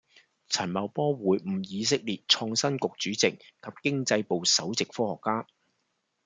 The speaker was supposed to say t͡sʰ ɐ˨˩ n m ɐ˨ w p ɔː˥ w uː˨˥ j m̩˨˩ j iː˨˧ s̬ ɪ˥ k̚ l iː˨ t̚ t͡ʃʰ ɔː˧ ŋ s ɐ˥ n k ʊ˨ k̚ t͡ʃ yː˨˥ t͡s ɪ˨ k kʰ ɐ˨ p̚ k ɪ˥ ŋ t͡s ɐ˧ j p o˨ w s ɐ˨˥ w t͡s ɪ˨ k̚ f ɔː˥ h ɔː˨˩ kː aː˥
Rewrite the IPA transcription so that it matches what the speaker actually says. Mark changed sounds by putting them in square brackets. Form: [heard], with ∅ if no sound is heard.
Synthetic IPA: t͡sʰ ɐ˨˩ n m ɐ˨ w p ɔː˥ w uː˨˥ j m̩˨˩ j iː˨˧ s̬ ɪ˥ k̚ l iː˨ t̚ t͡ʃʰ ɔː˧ ŋ s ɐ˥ n k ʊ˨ k̚ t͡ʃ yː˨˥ t͡s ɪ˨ k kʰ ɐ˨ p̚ k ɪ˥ ŋ t͡s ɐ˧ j p o˨ w s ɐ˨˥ w t͡s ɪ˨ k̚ f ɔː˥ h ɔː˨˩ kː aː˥